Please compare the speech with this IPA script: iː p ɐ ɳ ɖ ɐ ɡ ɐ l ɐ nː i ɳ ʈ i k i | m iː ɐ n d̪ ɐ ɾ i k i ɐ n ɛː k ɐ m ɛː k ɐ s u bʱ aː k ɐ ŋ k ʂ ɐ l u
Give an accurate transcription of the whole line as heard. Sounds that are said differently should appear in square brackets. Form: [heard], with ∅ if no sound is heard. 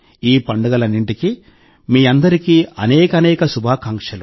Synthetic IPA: iː p ɐ ɳ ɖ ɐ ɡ ɐ l ɐ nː i ɳ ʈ i k i | m iː ɐ n d̪ ɐ ɾ i k i ɐ n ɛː k ɐ [n] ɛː k ɐ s u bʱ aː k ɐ ŋ k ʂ ɐ l u